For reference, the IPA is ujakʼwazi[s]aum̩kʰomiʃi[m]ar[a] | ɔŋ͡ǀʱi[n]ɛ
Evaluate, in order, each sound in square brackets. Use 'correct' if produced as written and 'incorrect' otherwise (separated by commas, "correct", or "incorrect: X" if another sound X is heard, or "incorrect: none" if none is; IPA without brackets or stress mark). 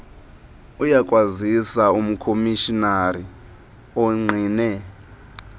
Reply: correct, incorrect: n, incorrect: i, correct